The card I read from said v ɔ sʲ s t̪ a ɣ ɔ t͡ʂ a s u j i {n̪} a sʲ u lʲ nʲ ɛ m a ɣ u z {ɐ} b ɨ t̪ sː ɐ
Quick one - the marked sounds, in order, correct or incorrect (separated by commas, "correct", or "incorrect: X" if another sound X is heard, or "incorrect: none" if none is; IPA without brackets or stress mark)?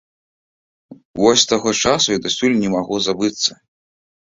incorrect: d̪, incorrect: a